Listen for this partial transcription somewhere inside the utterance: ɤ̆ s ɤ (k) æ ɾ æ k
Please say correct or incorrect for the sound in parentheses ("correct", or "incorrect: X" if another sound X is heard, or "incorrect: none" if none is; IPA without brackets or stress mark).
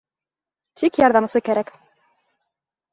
correct